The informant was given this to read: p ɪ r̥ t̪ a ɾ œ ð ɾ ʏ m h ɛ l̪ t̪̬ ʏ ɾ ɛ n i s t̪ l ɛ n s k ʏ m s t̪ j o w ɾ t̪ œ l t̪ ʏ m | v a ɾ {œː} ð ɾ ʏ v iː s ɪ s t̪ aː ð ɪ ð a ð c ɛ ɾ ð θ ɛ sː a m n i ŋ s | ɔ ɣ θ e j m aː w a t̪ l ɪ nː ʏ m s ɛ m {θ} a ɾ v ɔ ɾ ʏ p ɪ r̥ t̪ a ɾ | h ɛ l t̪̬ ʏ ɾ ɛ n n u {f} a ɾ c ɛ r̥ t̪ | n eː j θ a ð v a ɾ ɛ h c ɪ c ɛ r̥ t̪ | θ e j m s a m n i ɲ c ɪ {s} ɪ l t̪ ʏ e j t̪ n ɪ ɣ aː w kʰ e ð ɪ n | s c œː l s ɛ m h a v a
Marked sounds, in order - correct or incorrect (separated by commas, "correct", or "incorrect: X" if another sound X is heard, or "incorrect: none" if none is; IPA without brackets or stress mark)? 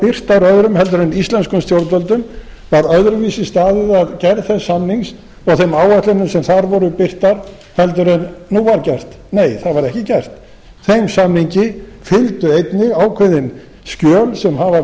incorrect: œ, correct, incorrect: v, incorrect: f